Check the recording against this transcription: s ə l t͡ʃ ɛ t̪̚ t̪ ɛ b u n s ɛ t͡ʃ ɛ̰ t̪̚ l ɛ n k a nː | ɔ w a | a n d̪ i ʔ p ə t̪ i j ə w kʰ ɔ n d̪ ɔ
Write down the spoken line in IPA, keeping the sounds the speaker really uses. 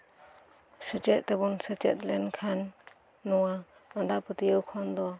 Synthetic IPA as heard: s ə t͡ʃ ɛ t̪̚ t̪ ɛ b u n s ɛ t͡ʃ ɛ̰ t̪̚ l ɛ n kʰ a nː | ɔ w a | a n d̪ a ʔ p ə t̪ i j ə w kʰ ɔ n d̪ ɔ